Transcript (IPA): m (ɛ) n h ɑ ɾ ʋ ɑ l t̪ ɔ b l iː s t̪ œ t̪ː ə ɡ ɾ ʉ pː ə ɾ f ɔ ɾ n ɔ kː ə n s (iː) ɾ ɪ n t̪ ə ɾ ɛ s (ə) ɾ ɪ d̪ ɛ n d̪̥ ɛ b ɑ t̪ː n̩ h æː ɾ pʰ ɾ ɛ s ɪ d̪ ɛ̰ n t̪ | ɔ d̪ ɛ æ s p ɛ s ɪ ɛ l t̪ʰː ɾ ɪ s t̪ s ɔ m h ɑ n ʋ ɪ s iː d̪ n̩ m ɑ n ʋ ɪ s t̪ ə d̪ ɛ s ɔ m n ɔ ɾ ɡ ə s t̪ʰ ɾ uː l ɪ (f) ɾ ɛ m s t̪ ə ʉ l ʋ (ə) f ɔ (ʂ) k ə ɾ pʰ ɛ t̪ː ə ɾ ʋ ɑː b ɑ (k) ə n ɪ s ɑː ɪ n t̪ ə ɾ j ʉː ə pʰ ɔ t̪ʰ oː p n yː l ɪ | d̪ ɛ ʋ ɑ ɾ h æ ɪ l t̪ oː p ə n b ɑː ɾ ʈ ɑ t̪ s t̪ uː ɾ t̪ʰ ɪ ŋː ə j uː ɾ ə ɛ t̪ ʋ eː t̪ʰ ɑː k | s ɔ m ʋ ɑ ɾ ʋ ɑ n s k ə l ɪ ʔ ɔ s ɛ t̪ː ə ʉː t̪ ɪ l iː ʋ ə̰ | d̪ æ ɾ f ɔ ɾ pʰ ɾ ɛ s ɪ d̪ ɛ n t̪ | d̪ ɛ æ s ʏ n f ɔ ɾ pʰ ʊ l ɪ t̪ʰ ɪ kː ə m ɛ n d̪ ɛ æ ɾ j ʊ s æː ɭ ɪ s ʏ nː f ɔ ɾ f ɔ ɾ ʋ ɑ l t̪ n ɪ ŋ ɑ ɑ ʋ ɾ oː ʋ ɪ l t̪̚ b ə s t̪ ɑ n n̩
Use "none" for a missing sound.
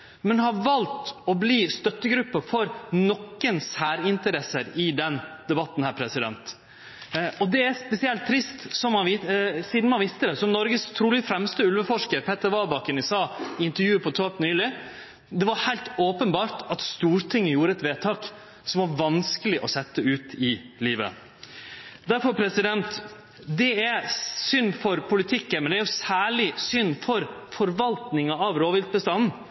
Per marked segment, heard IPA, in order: ɛ, æː, ə, f, ə, ʂ, k

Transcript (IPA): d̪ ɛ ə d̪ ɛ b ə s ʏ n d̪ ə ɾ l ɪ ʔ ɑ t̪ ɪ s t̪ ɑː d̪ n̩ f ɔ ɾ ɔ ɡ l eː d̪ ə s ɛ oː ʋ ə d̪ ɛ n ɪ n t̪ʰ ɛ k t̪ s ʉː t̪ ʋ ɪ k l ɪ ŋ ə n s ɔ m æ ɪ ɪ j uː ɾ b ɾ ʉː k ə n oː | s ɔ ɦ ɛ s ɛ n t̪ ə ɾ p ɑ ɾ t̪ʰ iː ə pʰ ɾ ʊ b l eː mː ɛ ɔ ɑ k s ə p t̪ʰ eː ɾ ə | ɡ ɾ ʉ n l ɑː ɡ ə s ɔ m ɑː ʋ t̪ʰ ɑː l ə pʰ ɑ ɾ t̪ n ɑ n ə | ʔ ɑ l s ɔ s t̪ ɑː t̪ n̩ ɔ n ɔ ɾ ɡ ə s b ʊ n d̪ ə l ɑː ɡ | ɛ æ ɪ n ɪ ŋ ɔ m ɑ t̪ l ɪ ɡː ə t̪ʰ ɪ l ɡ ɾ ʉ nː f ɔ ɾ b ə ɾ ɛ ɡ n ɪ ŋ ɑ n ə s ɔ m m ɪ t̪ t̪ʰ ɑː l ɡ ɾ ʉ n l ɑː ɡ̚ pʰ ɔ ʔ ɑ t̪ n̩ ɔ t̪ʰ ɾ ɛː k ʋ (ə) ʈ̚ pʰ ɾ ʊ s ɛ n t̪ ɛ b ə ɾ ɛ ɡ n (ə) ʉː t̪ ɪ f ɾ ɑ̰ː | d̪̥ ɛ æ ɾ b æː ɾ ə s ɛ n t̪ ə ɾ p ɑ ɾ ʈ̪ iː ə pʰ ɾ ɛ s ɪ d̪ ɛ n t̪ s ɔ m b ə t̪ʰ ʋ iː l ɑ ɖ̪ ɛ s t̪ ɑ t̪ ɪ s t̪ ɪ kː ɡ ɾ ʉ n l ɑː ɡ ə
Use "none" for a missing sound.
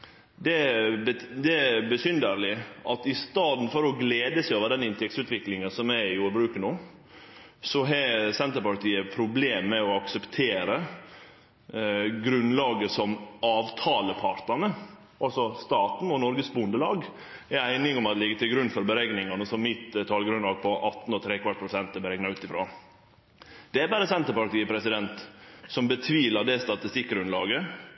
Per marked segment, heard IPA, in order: ɑ, ɑ

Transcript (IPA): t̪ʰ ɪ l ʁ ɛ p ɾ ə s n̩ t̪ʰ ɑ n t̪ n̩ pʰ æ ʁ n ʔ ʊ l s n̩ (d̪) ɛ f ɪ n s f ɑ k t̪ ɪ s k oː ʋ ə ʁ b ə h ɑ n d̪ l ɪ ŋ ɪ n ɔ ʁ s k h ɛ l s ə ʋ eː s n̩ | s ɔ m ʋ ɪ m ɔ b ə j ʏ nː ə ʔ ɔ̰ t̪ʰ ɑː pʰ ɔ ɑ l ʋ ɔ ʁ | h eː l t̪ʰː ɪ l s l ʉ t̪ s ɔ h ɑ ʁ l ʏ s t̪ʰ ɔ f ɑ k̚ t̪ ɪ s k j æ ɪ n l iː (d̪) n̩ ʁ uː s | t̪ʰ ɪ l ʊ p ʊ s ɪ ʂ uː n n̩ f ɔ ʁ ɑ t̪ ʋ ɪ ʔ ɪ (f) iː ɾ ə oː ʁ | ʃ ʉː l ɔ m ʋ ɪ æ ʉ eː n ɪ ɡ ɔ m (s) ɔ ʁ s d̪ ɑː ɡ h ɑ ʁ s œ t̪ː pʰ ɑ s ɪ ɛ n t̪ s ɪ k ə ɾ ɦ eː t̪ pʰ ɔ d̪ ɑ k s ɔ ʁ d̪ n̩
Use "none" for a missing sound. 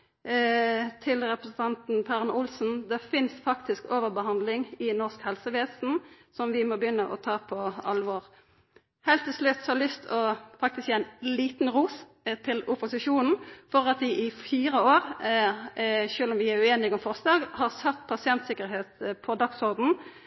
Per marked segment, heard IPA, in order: d̪, t̪, f, f

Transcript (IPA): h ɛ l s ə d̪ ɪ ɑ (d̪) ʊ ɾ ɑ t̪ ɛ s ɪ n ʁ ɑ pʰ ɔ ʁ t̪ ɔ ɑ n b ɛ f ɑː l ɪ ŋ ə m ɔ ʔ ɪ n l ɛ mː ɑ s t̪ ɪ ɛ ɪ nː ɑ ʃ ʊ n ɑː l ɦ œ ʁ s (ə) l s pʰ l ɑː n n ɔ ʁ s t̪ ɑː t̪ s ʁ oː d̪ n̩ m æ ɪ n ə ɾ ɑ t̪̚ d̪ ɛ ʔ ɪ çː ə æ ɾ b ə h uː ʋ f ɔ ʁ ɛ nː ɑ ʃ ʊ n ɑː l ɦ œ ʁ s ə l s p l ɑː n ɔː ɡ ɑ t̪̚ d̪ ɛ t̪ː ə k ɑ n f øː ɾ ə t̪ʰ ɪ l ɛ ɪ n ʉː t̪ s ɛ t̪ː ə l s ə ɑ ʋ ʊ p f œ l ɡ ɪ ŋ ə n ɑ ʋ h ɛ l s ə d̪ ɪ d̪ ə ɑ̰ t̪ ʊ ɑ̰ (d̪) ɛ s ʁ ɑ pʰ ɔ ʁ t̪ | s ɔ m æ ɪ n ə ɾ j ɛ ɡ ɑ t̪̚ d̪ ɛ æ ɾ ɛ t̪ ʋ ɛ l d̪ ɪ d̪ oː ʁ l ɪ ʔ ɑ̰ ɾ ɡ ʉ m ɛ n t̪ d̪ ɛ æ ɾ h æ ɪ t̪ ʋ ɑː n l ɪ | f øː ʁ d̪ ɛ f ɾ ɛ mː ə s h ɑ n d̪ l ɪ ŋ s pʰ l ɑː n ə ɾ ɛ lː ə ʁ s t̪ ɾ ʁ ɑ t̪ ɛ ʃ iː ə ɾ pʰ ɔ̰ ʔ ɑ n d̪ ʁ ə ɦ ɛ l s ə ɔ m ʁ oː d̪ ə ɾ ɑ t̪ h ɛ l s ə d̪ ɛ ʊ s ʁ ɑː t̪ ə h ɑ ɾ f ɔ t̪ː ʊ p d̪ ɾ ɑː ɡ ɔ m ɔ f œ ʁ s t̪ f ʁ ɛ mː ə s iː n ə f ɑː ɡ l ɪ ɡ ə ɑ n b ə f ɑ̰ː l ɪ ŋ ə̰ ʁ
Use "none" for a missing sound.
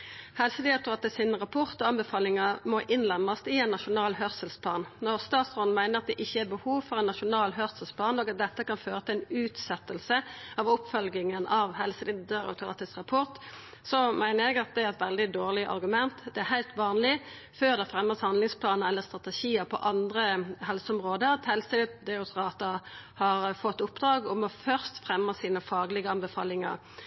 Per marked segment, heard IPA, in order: t̪, ə, t̪

